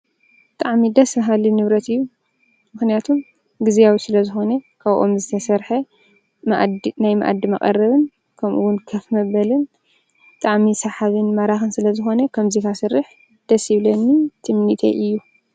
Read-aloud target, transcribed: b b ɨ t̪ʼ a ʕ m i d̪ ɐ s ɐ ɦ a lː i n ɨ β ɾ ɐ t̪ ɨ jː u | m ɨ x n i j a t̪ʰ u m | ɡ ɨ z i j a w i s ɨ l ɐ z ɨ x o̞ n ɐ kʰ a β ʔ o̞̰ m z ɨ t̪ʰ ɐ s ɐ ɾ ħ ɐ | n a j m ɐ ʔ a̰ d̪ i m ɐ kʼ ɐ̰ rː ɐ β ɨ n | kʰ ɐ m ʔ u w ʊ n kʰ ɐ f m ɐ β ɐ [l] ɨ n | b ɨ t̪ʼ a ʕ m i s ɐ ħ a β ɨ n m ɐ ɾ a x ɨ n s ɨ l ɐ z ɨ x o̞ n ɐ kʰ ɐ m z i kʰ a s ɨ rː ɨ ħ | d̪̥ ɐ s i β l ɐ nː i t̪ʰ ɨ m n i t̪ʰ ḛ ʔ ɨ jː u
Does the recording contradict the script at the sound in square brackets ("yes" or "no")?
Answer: no